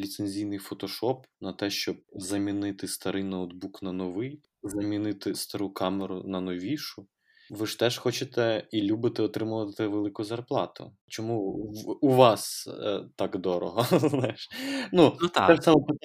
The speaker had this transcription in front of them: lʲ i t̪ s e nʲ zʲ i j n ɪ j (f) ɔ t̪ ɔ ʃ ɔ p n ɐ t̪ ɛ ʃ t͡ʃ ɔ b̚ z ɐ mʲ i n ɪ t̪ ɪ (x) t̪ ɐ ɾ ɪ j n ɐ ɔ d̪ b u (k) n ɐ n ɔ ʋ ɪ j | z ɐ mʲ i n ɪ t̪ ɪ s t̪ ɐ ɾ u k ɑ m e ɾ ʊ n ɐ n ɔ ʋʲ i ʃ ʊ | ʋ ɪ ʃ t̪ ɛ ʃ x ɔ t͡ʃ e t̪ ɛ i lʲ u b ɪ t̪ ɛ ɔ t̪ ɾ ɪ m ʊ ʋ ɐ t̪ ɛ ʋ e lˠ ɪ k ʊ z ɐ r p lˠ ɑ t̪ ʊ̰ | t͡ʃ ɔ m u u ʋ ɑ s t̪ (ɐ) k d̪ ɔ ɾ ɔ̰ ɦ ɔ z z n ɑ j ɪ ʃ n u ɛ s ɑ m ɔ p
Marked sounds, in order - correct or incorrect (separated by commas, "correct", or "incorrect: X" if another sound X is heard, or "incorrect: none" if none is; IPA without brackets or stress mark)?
correct, incorrect: s, correct, incorrect: ɑ